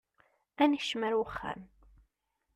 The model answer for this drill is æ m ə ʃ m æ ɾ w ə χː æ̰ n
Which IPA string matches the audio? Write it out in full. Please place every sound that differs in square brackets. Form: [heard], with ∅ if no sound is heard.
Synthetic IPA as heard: æ [n] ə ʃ m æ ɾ w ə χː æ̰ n